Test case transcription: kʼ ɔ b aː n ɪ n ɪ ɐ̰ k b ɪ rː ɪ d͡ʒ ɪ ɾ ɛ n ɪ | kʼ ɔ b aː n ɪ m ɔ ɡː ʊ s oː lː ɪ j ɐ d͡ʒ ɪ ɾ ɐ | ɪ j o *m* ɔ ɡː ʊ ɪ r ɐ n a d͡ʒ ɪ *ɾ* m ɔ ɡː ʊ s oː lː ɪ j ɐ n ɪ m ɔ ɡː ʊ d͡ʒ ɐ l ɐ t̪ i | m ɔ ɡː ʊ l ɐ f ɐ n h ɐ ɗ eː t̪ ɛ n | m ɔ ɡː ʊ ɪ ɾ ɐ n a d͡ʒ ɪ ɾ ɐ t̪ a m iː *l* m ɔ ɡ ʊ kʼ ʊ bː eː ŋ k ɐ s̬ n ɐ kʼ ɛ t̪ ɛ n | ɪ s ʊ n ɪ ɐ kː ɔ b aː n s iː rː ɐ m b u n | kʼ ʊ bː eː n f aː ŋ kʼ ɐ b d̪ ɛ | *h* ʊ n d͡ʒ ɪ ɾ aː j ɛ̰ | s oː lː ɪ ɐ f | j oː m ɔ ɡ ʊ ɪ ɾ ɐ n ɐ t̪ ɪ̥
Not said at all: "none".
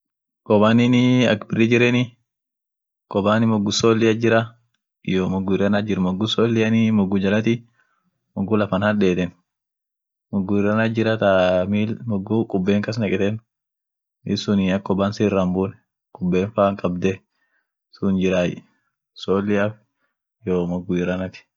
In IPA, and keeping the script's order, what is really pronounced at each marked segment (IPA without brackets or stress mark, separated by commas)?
m, ɾ, l, s